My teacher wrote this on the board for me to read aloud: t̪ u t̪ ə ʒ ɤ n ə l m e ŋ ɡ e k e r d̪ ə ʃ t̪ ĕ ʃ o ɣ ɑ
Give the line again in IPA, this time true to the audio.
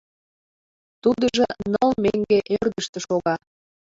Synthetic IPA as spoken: t̪ u d̪ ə ʒ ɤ n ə l m e ŋ ɡ e ʔ e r d̪ ə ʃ t̪ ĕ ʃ o ɣ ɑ